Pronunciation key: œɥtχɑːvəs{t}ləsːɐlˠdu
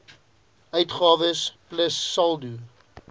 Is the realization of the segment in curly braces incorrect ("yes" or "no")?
yes